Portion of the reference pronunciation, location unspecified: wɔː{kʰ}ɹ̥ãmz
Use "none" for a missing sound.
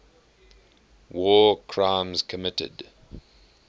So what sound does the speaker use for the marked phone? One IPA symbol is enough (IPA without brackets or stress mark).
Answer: kʰ